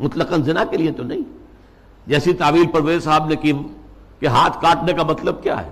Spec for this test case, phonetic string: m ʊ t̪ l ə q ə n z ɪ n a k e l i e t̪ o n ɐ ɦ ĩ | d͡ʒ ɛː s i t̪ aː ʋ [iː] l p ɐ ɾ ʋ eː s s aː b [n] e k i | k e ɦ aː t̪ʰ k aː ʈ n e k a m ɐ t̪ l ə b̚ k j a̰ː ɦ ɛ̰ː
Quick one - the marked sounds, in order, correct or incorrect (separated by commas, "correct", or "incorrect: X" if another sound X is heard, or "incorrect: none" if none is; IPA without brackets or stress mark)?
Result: correct, correct